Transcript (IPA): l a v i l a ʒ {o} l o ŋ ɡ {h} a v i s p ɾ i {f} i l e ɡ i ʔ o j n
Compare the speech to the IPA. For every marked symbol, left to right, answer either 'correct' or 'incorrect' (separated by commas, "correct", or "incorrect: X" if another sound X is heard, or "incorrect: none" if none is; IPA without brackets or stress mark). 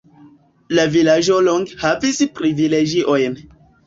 correct, correct, incorrect: v